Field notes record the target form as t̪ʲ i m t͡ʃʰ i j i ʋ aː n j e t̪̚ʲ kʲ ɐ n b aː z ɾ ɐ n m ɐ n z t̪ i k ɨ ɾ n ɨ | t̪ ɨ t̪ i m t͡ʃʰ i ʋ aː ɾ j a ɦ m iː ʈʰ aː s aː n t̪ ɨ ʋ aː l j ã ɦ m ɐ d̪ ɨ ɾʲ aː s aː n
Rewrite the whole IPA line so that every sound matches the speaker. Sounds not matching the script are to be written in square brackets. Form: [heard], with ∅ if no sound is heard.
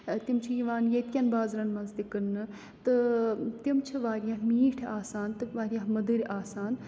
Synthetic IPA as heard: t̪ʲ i m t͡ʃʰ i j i ʋ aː n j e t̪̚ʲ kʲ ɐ n b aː z ɾ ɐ n m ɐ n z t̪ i k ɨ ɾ n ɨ | t̪ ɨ t̪ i m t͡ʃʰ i ʋ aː ɾ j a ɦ m iː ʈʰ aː s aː n t̪ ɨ ʋ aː [ɾ] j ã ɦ m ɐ d̪ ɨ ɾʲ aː s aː n